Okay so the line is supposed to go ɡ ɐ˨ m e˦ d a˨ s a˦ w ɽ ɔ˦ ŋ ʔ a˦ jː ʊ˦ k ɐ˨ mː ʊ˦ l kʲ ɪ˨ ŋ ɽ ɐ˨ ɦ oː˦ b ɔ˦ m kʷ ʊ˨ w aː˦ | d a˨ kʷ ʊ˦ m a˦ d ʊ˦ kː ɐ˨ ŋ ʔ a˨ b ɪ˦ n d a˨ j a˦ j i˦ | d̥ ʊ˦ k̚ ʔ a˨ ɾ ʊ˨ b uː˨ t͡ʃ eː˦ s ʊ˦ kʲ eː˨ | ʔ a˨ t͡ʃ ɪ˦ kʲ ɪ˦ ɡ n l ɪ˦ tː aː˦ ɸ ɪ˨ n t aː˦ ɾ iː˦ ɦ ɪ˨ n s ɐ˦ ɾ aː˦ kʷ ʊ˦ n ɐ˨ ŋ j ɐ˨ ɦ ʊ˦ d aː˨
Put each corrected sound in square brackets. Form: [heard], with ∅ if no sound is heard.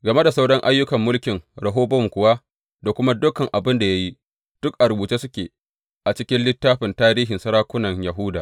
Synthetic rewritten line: ɡ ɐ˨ m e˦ d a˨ s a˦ w ɽ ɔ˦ ŋ ʔ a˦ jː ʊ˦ k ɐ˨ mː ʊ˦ l kʲ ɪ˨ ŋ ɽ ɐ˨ ɦ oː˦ b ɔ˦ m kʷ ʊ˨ w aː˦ | d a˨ kʷ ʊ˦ m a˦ d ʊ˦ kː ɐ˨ ŋ ʔ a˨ b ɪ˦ n d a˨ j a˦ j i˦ | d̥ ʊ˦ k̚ ʔ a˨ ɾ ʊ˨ b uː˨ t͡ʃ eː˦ s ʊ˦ kʲ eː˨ | ʔ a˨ t͡ʃ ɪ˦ kʲ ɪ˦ [∅] n l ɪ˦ tː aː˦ ɸ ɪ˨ n t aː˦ ɾ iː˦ ɦ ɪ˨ n s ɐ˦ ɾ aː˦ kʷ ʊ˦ n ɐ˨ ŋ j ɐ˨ ɦ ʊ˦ d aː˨